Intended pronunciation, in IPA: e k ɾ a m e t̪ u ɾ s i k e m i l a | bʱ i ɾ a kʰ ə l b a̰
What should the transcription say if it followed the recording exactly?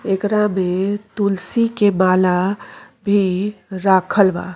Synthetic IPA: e k ɾ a m e t̪ u l s i k e m a l a | bʱ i ɾ a kʰ ə l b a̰